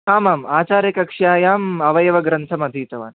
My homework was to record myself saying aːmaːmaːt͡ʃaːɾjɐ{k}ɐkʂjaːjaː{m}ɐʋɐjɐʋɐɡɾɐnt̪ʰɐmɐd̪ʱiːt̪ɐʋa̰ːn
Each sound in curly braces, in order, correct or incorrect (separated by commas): correct, correct